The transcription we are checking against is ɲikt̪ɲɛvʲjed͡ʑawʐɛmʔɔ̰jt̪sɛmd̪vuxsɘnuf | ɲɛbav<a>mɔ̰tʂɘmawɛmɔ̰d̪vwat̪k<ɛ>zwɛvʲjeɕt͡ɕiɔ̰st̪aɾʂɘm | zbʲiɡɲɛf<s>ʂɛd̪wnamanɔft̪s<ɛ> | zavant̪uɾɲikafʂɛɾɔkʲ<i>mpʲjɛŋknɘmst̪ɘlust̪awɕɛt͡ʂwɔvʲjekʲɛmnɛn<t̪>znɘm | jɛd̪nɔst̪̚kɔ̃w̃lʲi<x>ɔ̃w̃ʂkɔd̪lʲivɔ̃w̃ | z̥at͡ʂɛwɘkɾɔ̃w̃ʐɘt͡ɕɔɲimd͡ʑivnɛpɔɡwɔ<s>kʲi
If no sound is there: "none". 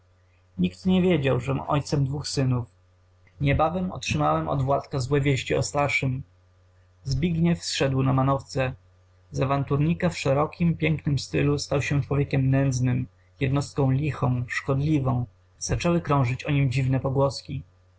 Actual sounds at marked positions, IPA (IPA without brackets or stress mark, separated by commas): ɛ, a, s, ɛ, i, d̪, x, s